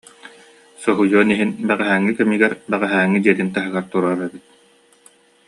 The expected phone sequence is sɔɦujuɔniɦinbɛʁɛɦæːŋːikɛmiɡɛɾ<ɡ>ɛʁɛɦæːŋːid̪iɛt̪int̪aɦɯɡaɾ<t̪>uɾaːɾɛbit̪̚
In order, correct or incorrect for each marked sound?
incorrect, correct

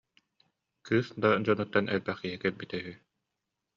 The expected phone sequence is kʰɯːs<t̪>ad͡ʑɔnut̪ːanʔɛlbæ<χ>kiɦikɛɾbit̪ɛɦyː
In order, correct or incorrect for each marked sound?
incorrect, correct

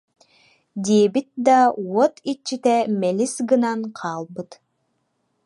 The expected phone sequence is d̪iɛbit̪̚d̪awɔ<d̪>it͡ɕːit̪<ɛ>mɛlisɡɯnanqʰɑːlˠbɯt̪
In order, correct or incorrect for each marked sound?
incorrect, correct

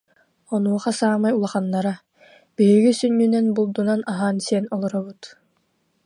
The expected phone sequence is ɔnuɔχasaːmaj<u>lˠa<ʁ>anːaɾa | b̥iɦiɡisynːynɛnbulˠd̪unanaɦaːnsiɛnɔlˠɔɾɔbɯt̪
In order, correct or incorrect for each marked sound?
correct, incorrect

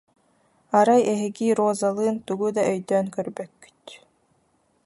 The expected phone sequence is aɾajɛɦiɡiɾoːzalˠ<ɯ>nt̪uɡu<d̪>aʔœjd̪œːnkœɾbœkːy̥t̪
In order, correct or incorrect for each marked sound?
incorrect, correct

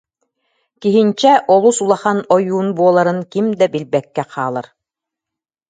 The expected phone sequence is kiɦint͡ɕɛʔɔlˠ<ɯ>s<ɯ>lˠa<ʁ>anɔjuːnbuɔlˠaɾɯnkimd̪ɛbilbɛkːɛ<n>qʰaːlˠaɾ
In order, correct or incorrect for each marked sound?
incorrect, incorrect, incorrect, incorrect

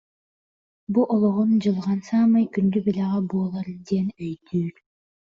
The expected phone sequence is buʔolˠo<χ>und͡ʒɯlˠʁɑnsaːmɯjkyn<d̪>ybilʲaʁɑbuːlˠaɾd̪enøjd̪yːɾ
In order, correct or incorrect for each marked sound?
incorrect, correct

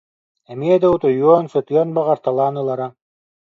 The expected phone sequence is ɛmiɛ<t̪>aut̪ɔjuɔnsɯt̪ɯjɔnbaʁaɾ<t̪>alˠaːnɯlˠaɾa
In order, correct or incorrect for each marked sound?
incorrect, correct

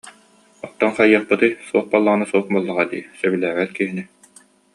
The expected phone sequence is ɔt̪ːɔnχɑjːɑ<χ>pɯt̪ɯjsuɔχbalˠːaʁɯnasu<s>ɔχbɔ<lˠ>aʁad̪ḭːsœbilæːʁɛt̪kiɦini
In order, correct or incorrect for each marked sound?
correct, incorrect, incorrect

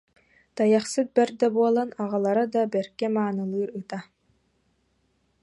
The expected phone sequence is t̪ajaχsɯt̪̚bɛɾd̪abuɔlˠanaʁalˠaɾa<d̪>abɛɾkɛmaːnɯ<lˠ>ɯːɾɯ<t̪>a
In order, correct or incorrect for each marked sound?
correct, correct, correct

